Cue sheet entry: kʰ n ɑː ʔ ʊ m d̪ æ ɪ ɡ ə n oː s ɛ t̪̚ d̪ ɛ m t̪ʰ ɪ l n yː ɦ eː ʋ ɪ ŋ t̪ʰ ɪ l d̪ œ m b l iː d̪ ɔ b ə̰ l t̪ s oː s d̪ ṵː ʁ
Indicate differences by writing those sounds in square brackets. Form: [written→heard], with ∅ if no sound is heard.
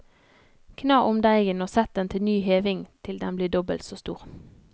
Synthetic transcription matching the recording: kʰ n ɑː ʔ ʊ m d̪ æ ɪ ɡ ə n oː s ɛ t̪̚ d̪ ɛ [m→n] t̪ʰ ɪ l n yː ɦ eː ʋ ɪ ŋ t̪ʰ ɪ l d̪ [œ→ɛ] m b l iː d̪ ɔ b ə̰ l t̪ s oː s [d̪→t̪] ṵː ʁ

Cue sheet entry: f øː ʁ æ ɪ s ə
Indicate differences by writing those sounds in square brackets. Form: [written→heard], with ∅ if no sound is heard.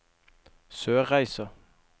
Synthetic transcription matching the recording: [f→s] øː ʁ æ ɪ s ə

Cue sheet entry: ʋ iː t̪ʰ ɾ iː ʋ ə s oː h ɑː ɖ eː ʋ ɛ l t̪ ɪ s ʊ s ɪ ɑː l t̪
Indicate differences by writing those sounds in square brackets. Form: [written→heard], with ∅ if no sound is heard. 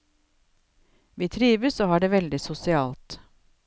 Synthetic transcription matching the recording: ʋ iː t̪ʰ ɾ iː ʋ ə s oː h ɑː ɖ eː ʋ ɛ l [t̪→d̪] ɪ s ʊ s ɪ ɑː l t̪

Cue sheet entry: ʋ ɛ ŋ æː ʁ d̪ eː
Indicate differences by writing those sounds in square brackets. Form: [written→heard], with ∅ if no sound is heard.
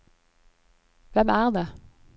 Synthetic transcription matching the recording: ʋ ɛ [ŋ→m] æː ʁ d̪ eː

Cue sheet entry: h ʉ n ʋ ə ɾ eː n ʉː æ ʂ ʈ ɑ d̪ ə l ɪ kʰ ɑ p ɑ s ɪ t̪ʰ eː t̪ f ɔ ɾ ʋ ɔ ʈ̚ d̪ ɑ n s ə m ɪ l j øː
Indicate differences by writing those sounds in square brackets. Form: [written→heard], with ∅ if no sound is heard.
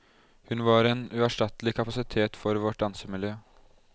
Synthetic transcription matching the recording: h ʉ n ʋ [ə→ɑ] ɾ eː n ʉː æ ʂ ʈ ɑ [d̪→t̪] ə l ɪ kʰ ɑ p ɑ s ɪ t̪ʰ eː t̪ f ɔ ɾ ʋ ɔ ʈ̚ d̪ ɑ n s ə m ɪ l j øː

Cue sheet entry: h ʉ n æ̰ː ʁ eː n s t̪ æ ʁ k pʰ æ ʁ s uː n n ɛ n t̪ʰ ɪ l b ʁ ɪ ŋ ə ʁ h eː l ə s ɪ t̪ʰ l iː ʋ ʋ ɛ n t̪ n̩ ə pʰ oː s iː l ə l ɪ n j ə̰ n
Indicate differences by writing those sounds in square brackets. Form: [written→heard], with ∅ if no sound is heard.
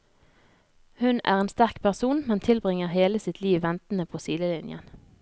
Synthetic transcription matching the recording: h ʉ n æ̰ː ʁ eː n s t̪ æ ʁ k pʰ æ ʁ s uː n [n→m] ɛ n t̪ʰ ɪ l b ʁ ɪ ŋ ə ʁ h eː l ə s ɪ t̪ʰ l iː ʋ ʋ ɛ n t̪ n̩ ə pʰ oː s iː l ə l ɪ n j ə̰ n

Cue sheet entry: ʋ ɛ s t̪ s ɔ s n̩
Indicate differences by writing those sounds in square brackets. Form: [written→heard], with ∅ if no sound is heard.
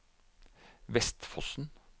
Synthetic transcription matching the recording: ʋ ɛ s t̪ [s→f] ɔ s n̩

